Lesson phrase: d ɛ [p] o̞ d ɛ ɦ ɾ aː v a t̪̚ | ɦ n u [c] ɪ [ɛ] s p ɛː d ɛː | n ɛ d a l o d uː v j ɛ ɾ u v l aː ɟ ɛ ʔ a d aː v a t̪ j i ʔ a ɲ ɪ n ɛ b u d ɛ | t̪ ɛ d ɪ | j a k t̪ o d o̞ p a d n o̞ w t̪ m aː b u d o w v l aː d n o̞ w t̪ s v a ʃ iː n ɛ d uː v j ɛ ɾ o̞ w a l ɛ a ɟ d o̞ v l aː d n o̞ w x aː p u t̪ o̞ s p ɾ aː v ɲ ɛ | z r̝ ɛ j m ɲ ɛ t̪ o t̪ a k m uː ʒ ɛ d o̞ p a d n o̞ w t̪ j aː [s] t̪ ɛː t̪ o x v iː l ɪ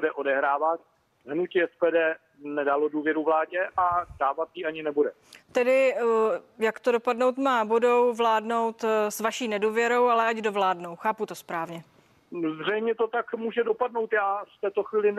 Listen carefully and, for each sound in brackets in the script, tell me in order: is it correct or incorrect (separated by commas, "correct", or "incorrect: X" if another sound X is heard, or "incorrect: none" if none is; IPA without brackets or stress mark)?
incorrect: ʔ, correct, correct, incorrect: f